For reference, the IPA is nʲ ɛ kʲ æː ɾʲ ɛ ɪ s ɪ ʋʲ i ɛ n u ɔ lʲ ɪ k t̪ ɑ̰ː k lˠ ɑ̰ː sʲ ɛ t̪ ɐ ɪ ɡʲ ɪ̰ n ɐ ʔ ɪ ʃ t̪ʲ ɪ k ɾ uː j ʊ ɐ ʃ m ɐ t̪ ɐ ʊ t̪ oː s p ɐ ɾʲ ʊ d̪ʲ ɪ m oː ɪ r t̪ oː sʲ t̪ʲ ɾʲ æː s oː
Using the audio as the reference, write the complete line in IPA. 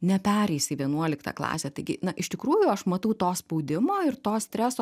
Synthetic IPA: nʲ ɛ pʲ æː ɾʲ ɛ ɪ s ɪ ʋʲ i ɛ n u ɔ lʲ ɪ k t̪ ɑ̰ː k lˠ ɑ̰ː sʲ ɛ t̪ ɐ ɪ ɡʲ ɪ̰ n ɐ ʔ ɪ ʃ t̪ʲ ɪ k ɾ uː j ʊ ɐ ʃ m ɐ t̪ ɐ ʊ t̪ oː s p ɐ ʊ d̪ʲ ɪ m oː ɪ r t̪ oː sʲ t̪ʲ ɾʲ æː s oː